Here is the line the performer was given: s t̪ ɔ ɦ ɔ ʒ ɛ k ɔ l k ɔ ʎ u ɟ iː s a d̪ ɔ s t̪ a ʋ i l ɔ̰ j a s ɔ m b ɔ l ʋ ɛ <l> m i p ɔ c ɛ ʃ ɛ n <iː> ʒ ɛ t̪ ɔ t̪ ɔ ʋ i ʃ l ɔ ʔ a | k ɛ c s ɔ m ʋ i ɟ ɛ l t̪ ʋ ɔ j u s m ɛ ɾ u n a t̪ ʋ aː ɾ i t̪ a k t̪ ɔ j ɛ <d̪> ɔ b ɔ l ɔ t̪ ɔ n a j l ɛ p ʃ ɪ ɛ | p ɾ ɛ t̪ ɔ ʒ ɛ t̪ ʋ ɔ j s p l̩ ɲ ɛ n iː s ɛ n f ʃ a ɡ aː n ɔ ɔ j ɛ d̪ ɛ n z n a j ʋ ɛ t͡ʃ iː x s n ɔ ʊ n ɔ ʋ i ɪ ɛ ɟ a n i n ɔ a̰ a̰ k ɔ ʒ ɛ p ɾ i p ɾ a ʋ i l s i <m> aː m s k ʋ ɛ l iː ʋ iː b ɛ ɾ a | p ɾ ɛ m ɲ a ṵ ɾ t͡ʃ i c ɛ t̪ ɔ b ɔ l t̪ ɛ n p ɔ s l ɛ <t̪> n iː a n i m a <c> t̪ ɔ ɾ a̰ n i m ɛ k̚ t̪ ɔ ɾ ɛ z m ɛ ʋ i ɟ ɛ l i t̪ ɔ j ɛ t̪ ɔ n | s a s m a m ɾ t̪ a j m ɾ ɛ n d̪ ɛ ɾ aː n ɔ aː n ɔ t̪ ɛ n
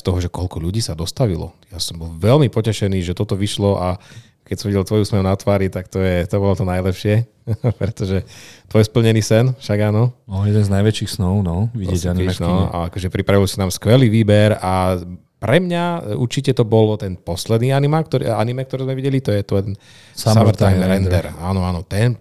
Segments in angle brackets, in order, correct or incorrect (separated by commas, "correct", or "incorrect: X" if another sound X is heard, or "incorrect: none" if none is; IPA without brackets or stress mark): correct, correct, incorrect: t̪, incorrect: n, incorrect: d̪, incorrect: k